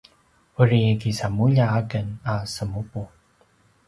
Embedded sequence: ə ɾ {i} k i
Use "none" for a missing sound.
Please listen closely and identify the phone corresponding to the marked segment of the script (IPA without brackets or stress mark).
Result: i